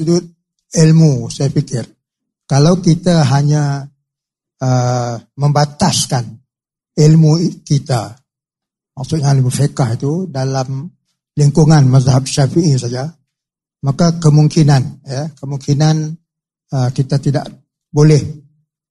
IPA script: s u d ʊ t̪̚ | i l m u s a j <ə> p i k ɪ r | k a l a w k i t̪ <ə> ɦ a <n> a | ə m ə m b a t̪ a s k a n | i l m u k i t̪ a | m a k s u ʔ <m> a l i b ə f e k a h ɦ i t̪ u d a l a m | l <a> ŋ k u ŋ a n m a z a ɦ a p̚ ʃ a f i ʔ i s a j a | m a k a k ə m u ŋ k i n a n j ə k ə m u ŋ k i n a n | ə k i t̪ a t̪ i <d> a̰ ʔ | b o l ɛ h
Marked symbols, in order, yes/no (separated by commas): no, no, no, no, no, yes